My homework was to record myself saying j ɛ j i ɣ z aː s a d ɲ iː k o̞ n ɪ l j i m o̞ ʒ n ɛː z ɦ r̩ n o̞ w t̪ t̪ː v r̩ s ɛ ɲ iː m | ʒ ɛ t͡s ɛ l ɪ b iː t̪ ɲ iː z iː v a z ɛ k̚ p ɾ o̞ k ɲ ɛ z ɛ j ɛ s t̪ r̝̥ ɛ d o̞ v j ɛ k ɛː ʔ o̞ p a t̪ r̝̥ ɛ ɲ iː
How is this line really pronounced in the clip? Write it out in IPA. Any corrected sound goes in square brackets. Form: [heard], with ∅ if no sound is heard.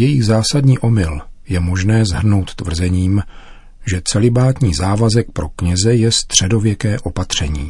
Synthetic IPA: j ɛ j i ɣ z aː s a d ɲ iː [ʔ] o̞ [m] ɪ l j [ɛ] m o̞ ʒ n ɛː z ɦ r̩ n o̞ w t̪ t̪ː v r̩ [z] ɛ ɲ iː m | ʒ ɛ t͡s ɛ l ɪ b [aː] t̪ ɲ iː z [aː] v a z ɛ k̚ p ɾ o̞ k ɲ ɛ z ɛ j ɛ s t̪ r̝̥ ɛ d o̞ v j ɛ k ɛː ʔ o̞ p a t̪ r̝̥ ɛ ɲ iː